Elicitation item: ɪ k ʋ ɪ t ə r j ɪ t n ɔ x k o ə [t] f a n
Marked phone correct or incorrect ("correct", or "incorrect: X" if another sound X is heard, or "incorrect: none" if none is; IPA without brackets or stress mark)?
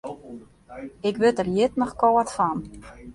correct